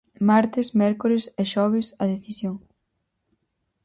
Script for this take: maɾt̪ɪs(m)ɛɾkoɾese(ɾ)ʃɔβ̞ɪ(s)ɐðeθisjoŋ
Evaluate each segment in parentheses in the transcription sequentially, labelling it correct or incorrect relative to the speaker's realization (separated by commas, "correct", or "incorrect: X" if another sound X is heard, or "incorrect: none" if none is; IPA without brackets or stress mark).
correct, incorrect: none, correct